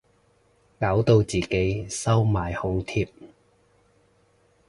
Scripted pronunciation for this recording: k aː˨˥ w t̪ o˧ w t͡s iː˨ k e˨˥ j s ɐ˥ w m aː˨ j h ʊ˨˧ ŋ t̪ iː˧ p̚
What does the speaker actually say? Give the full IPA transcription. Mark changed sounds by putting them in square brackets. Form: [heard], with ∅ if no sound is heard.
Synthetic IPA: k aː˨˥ w t̪ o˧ w t͡s iː˨ k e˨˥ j s ɐ˥ w m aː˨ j h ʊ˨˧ ŋ [t̪ʰ] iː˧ p̚